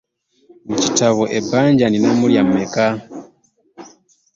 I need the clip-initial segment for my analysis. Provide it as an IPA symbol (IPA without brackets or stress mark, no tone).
m